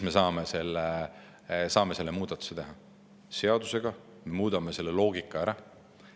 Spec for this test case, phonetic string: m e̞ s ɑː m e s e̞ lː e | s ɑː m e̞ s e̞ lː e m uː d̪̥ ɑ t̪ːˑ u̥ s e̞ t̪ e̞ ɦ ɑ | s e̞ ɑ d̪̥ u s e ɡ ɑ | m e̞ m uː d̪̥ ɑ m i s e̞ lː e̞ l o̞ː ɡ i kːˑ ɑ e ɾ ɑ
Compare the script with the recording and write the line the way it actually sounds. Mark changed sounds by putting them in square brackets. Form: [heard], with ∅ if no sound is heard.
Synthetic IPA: m e̞ s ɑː m e s e̞ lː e | s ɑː m e̞ s e̞ lː e m uː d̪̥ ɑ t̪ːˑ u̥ s e̞ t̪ e̞ ɦ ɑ | s e̞ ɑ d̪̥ u s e ɡ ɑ | m e̞ m uː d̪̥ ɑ m [e] s e̞ lː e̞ l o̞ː ɡ i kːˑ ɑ [æ] ɾ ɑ